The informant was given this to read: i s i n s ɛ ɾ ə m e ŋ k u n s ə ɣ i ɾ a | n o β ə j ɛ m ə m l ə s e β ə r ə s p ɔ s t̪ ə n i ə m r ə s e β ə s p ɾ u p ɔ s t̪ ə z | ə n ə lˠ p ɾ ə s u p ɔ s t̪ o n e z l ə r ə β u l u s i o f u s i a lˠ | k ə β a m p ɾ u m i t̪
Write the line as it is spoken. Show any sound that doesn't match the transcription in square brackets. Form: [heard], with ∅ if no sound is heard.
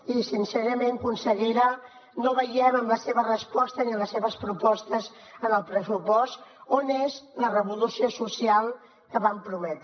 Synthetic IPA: i s i n s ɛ ɾ ə m e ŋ k u n s ə ɣ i ɾ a | n o β ə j ɛ m ə m l ə s e β ə r ə s p ɔ s t̪ ə n i ə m [l] ə s e β ə s p ɾ u p ɔ s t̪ ə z | ə n ə lˠ p ɾ ə s u p ɔ s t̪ o n e z l ə r ə β u l u s i o [s] u s i a lˠ | k ə β a m p ɾ u m [ɛ] t̪